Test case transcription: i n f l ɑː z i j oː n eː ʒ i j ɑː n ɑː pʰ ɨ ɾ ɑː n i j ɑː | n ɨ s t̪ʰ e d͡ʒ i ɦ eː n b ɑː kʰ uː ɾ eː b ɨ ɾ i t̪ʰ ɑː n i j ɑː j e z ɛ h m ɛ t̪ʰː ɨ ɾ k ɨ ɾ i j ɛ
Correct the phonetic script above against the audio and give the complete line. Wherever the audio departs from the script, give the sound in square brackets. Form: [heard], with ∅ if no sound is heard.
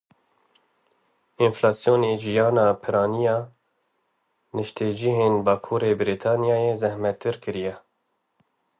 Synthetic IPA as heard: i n f l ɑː [s] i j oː n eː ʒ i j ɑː n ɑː pʰ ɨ ɾ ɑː n i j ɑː | n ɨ [ʃ] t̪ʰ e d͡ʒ i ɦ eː n b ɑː kʰ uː ɾ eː b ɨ ɾ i t̪ʰ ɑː n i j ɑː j e z ɛ h m ɛ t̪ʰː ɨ ɾ k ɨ ɾ i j ɛ